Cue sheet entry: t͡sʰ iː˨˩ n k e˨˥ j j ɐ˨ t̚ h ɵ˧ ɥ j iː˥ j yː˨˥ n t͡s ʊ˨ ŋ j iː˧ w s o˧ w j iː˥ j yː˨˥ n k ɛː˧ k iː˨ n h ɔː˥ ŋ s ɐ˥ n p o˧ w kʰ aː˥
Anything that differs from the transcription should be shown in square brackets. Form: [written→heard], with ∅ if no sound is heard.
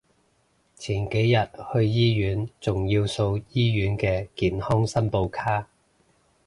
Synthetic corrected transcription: t͡sʰ iː˨˩ n k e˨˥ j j ɐ˨ t̚ h ɵ˧ ɥ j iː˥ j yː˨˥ n t͡s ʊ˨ ŋ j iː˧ w s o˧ w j iː˥ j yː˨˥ n k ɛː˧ k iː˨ n h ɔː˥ ŋ s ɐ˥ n p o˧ w kʰ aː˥